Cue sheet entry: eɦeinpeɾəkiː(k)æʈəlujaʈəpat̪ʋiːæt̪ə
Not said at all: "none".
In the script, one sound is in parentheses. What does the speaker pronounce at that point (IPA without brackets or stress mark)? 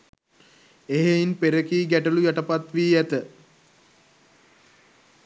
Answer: ɡ